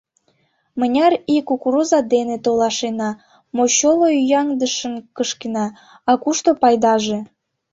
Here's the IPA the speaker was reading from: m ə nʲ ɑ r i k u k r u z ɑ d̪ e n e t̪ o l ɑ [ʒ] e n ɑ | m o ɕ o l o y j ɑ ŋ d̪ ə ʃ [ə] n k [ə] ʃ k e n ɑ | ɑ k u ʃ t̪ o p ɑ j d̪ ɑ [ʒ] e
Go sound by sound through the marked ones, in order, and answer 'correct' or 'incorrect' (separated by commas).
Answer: incorrect, correct, correct, correct